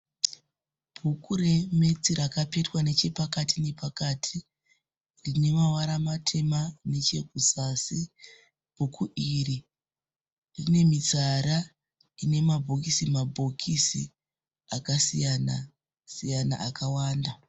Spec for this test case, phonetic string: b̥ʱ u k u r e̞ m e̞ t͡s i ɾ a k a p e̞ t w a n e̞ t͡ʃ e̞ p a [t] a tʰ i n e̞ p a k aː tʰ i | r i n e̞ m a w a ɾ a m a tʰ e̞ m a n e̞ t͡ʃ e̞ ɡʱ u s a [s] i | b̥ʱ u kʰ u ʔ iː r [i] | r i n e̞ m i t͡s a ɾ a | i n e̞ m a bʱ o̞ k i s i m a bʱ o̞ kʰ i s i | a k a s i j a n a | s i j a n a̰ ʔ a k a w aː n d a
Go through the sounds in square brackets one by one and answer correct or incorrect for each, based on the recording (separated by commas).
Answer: incorrect, correct, correct